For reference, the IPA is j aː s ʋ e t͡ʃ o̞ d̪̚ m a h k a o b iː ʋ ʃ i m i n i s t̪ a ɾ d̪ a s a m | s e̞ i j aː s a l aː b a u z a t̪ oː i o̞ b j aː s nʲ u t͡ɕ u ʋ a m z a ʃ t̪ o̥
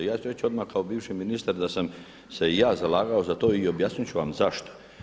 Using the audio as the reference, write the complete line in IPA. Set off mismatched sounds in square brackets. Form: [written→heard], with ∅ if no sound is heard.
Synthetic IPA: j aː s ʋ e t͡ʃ o̞ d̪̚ m a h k a o b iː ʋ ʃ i m i n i s t̪ a ɾ d̪ a s a m | s e̞ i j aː [s→z] a l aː [b→ɡ] a [u→o] z a t̪ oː i o̞ b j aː s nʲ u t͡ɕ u ʋ a m z a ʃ t̪ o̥